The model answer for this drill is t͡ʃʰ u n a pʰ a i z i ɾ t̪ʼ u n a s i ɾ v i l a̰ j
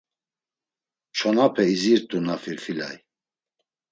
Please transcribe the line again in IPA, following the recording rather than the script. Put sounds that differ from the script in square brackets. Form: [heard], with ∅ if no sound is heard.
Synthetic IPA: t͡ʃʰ [ɔ] n a pʰ [ɛ] i z i ɾ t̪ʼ u n a [f] i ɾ [f] i l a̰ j